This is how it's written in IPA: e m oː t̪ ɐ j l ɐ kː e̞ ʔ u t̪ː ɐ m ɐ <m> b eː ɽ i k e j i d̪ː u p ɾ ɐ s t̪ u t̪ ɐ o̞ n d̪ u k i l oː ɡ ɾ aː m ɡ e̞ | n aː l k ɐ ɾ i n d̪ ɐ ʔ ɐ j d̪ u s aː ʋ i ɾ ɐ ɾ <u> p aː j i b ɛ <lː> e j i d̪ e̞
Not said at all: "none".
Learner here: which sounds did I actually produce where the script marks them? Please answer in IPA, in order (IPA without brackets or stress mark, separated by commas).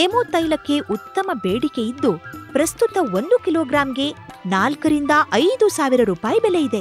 none, uː, l